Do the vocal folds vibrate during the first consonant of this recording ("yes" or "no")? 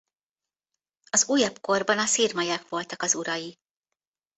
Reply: yes